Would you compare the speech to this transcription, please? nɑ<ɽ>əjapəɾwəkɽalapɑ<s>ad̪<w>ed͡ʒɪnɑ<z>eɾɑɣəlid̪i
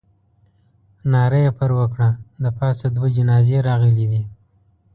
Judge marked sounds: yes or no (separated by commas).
no, yes, yes, yes